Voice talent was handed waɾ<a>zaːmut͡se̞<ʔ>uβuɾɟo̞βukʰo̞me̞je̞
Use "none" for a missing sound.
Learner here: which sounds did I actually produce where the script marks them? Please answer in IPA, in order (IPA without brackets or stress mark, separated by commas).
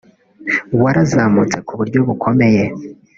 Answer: a, k